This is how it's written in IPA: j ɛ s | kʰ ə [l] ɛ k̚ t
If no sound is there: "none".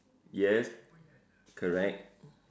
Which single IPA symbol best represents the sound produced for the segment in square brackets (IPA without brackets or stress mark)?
ɹ